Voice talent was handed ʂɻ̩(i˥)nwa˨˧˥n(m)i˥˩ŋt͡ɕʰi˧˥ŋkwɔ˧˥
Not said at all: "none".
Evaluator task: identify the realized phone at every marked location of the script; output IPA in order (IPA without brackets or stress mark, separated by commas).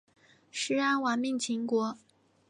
a˥, m